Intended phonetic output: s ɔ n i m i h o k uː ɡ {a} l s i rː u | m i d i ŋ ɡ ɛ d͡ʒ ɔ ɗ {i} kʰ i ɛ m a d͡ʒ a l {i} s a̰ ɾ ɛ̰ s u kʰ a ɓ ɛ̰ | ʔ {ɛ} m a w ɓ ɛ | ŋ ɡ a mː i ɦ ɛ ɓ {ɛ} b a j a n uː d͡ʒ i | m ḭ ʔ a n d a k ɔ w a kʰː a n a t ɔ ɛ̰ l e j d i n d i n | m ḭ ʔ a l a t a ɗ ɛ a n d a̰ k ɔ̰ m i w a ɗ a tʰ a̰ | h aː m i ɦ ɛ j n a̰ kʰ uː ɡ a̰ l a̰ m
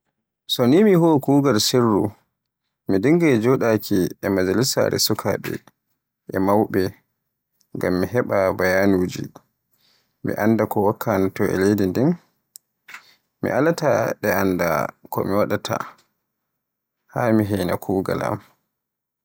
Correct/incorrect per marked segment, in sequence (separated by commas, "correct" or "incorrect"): correct, incorrect, correct, correct, incorrect